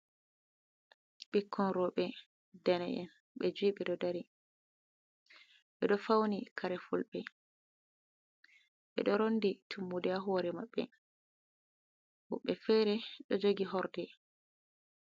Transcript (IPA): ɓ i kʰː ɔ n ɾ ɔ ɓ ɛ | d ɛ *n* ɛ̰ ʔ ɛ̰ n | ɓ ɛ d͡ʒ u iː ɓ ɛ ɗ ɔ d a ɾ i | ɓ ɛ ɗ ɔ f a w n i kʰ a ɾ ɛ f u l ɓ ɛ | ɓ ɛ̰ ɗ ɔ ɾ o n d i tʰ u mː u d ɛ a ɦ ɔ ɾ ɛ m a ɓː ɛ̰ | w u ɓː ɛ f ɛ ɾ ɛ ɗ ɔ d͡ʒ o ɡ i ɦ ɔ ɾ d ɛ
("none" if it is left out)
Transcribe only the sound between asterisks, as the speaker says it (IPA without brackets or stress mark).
n